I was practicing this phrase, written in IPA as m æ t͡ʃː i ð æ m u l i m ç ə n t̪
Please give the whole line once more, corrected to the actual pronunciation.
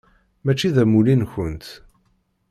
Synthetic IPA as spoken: m æ t͡ʃː i ð æ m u l i n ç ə n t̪

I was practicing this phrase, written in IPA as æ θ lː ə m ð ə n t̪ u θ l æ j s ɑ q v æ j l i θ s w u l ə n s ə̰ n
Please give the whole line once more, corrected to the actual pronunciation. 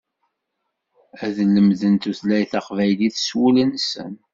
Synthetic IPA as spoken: æ ð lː ə m ð ə n t̪ u θ l æ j θ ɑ q v æ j l i θ s w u l ə n s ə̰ n

